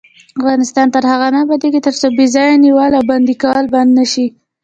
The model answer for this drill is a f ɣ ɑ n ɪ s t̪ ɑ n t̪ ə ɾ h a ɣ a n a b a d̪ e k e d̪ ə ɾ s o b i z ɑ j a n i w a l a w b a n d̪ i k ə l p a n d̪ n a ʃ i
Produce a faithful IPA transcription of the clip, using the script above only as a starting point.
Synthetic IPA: a f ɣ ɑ n ɪ s t̪ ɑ n t̪ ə ɾ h a ɣ a n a b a d̪ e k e t̪ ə ɾ s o b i z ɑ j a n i w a l a w b a n d̪ i k ɑ l b a n d̪ n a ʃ i